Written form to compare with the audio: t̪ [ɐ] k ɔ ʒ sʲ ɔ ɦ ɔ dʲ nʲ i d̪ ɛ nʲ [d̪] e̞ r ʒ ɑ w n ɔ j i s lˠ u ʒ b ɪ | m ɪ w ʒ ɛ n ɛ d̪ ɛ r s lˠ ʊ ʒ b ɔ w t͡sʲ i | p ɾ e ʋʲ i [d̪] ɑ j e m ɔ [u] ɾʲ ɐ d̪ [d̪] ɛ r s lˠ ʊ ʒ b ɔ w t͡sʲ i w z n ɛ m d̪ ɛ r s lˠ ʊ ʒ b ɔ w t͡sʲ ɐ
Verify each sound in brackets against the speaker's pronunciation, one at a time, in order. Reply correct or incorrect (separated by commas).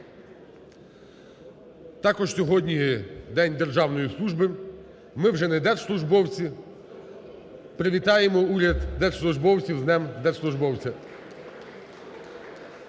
incorrect, correct, incorrect, correct, correct